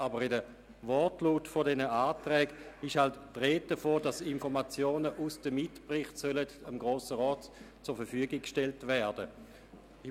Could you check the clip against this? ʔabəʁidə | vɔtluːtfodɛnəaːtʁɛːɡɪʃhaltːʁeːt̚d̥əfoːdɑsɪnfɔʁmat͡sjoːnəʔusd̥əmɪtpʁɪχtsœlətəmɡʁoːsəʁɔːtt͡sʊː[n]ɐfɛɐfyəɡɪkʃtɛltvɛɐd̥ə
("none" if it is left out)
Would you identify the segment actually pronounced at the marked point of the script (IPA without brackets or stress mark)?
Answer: none